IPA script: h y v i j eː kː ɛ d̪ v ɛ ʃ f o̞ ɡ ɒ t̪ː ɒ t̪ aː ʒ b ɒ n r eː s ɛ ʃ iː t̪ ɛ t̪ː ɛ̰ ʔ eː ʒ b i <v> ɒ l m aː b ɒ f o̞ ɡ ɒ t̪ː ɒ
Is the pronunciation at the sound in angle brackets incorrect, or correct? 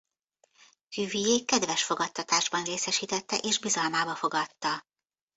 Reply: incorrect: z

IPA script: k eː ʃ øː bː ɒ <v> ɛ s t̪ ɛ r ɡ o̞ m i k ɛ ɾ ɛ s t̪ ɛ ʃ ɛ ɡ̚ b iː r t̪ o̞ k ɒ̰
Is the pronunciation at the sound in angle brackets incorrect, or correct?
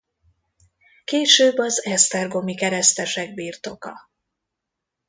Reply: incorrect: z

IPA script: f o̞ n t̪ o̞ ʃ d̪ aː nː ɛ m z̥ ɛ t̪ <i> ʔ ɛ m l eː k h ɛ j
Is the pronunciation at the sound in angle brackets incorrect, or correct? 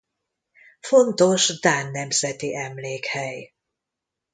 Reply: correct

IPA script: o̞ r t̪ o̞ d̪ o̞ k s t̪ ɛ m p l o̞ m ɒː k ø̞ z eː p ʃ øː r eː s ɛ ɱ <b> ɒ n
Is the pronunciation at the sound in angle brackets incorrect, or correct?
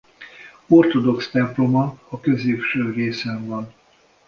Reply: incorrect: v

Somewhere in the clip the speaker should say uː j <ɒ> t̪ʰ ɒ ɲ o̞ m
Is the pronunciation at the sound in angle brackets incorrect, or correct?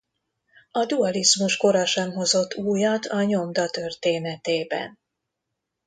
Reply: correct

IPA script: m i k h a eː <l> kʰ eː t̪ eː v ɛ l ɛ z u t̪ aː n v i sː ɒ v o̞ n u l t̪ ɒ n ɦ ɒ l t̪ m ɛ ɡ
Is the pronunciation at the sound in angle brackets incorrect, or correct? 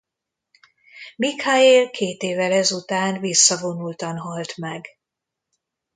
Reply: correct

